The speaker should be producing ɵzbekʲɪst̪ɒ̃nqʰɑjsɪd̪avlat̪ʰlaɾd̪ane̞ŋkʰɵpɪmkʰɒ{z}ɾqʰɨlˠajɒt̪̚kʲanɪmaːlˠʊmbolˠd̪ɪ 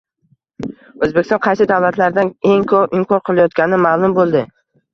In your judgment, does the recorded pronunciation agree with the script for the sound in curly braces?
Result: no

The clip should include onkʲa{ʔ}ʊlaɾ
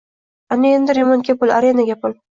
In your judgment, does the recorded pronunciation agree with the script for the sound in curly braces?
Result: no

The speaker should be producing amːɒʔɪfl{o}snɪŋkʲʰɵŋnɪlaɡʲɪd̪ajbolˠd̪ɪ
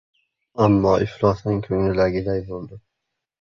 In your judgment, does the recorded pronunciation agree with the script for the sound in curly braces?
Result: no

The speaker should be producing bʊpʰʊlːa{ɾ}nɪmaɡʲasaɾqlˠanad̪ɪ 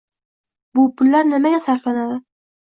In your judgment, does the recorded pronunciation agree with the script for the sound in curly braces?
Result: yes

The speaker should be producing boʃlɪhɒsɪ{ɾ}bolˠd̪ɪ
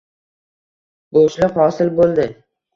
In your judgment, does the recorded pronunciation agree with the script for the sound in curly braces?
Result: no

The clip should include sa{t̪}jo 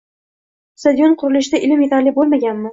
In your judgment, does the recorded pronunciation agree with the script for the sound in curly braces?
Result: no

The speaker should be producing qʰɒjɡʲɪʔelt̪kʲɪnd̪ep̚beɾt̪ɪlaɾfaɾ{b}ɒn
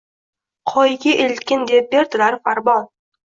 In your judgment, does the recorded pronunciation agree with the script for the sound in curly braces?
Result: yes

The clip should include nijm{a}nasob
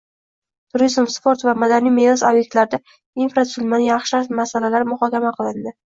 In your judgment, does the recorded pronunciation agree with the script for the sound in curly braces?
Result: no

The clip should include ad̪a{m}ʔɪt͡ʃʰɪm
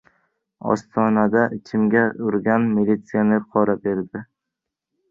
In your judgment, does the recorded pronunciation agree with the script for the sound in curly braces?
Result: no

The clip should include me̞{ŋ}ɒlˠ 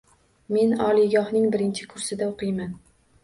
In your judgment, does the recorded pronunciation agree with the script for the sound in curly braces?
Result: no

